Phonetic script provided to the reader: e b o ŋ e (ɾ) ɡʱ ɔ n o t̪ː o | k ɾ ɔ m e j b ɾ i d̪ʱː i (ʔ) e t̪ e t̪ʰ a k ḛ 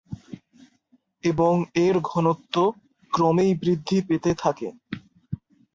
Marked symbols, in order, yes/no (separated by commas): yes, no